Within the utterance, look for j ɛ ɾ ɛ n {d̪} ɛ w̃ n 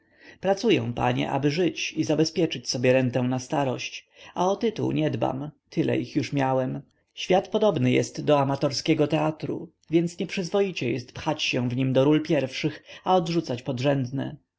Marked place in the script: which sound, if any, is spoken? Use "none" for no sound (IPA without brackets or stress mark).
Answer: t̪